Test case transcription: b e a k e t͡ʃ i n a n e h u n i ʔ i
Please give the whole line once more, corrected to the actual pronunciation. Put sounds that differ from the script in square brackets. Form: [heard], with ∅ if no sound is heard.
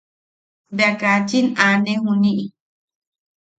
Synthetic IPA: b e a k [a] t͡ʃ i n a n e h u n i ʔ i

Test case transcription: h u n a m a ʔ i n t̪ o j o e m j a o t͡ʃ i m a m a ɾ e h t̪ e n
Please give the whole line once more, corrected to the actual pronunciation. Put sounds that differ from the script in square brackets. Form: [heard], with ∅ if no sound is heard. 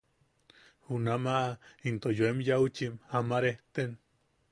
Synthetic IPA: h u n a m a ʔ i n t̪ o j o e m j a [u] t͡ʃ i m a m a ɾ e h t̪ e n

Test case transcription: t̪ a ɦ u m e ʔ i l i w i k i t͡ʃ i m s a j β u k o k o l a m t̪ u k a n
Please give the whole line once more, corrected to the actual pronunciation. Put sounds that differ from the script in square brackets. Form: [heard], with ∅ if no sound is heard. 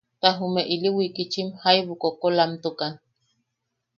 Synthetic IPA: t̪ a ɦ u m e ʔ i l i w i k i t͡ʃ i m [h] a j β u k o k o l a m t̪ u k a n

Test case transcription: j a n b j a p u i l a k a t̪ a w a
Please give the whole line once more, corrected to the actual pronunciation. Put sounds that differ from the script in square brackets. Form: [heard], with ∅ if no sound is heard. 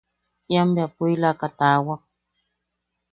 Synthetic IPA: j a [m] b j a p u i l a k a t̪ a w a

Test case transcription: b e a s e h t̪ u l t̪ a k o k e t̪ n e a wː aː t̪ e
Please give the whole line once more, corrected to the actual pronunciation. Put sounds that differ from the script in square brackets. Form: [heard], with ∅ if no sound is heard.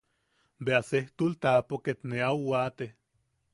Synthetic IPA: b e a s e h t̪ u l t̪ a [p] o k e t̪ n e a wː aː t̪ e

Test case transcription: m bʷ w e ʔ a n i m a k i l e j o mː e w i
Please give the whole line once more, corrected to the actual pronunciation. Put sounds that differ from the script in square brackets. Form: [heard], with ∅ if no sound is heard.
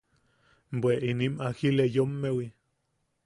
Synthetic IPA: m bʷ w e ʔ [i] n i m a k i l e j o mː e w i

